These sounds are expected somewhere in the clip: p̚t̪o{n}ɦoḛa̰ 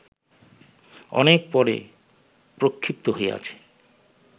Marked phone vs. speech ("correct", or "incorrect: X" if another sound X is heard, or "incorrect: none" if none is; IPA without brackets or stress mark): incorrect: none